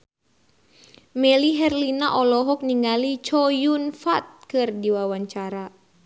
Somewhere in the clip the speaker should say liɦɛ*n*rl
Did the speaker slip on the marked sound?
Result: yes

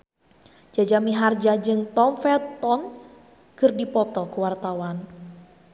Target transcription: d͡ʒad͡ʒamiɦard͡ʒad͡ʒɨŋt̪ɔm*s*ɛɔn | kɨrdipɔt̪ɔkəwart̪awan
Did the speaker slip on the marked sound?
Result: yes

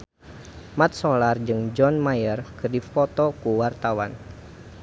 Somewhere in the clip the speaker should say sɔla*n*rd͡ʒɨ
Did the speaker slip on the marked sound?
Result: yes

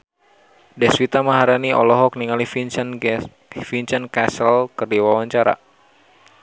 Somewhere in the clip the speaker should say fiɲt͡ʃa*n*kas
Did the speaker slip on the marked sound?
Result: no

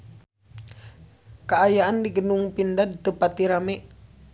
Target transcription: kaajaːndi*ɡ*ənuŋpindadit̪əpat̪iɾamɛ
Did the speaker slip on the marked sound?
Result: no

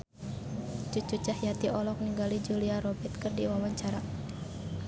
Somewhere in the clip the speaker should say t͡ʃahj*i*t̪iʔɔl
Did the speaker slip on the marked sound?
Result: yes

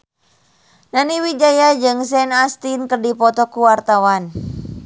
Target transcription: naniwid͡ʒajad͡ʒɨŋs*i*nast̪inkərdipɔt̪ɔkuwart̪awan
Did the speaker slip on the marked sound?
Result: yes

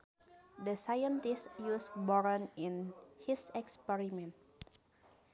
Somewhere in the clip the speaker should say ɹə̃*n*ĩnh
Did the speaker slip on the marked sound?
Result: no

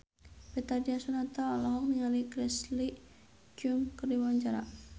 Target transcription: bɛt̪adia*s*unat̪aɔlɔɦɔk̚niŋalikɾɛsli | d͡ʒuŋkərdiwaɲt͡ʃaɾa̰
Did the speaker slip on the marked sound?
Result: no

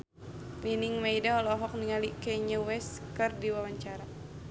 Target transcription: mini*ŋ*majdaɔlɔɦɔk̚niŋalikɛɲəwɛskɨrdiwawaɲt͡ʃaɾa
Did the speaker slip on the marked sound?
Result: no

